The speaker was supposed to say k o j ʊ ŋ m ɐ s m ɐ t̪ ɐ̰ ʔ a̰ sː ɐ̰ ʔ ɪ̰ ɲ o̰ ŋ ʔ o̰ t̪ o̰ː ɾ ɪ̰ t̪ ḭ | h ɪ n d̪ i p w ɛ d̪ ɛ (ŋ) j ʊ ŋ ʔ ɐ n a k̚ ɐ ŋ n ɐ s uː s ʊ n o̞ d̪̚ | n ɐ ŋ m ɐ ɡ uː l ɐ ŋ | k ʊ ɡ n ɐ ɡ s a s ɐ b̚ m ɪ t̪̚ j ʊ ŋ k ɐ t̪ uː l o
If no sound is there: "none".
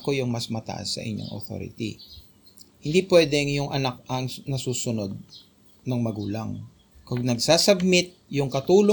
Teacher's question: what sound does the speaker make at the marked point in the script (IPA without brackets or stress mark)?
ŋ